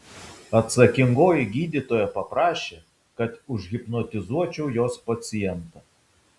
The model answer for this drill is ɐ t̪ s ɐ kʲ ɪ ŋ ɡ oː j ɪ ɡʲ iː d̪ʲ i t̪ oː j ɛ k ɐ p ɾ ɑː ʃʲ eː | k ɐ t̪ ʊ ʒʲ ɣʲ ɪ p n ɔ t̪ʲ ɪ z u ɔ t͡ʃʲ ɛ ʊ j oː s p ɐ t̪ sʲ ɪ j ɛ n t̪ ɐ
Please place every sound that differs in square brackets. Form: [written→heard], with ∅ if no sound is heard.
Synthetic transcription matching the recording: ɐ t̪ s ɐ kʲ ɪ ŋ ɡ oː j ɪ ɡʲ iː d̪ʲ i t̪ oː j ɛ [k→p] ɐ p ɾ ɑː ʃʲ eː | k ɐ t̪ ʊ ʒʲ ɣʲ ɪ p n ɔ t̪ʲ ɪ z u ɔ t͡ʃʲ ɛ ʊ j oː s p ɐ t̪ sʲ ɪ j ɛ n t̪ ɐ